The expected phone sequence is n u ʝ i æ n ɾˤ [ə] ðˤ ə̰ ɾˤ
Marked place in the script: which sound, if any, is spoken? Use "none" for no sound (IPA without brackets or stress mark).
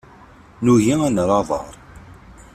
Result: ɑ